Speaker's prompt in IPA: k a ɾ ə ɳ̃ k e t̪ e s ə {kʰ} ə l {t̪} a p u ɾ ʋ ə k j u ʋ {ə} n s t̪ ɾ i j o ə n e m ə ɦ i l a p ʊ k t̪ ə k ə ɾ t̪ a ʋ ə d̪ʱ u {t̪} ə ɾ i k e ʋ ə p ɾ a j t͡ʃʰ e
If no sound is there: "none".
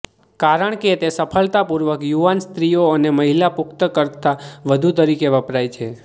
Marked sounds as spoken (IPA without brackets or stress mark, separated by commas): pʰ, t̪, a, t̪